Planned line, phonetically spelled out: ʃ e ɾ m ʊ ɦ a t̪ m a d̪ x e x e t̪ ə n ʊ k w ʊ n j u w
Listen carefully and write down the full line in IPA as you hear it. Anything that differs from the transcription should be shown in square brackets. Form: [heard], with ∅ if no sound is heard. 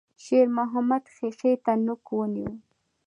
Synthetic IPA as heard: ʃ e ɾ m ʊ ɦ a [∅] m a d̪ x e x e t̪ [a] n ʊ k w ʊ n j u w